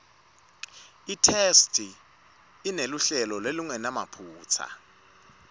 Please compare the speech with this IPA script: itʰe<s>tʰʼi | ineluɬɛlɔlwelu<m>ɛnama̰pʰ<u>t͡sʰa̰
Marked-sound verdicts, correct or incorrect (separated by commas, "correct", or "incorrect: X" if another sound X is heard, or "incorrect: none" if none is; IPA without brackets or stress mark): correct, incorrect: ŋ, incorrect: uː